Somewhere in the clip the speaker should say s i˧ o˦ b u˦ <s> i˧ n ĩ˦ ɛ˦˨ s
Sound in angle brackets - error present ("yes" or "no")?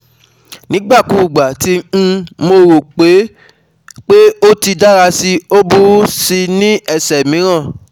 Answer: no